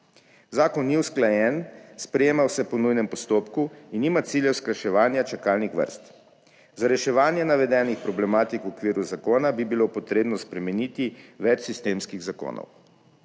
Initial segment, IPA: z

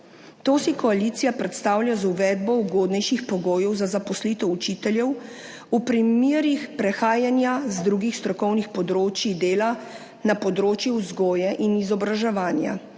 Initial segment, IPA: t̪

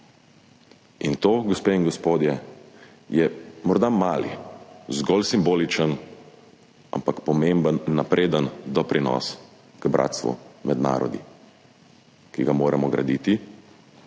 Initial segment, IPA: i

